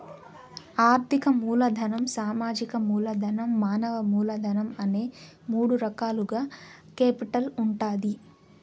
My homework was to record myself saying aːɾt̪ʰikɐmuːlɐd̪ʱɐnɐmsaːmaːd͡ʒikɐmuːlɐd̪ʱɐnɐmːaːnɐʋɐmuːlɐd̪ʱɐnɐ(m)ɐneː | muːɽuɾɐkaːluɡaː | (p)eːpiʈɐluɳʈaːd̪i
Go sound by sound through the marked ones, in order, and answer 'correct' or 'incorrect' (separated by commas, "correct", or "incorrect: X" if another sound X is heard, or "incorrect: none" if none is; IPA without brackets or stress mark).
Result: correct, incorrect: k